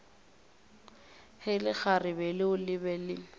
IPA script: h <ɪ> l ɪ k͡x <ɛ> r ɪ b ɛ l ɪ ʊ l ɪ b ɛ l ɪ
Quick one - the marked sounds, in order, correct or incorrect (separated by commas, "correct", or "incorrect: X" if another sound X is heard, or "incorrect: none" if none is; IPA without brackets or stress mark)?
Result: correct, incorrect: a